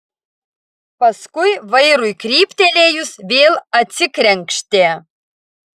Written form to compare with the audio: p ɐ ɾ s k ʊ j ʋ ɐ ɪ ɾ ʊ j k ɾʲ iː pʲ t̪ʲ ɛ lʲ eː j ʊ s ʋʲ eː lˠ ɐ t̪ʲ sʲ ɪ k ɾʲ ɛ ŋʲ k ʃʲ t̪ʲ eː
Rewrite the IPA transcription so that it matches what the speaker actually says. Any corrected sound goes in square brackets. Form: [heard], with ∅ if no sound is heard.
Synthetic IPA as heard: p ɐ [∅] s k ʊ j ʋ ɐ ɪ ɾ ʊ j k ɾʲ iː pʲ t̪ʲ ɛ lʲ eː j ʊ s ʋʲ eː lˠ ɐ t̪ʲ sʲ ɪ k ɾʲ ɛ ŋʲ k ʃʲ t̪ʲ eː